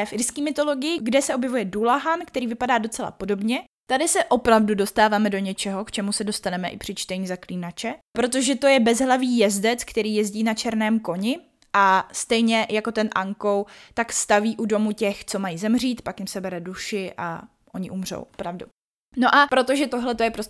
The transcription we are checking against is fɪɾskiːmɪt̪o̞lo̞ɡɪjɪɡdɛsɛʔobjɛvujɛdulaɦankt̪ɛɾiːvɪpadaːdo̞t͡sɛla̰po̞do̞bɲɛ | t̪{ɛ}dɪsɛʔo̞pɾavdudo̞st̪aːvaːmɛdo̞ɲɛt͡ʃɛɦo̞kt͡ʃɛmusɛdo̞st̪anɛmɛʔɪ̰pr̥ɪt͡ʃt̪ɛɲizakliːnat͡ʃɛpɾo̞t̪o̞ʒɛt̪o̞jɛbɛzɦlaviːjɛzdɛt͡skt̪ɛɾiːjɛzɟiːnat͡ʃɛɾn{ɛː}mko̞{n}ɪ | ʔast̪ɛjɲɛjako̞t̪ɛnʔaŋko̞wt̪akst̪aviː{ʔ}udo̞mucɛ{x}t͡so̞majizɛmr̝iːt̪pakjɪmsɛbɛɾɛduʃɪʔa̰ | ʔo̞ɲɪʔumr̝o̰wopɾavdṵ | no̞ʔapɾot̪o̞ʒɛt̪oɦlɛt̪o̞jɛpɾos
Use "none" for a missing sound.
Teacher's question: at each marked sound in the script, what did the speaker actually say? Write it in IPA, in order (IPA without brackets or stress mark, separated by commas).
a, ɛː, ɲ, ʔ, x